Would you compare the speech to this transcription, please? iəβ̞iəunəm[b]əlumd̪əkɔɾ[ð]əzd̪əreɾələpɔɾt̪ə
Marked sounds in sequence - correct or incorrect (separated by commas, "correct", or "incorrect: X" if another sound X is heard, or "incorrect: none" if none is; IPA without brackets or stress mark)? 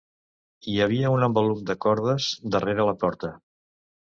correct, correct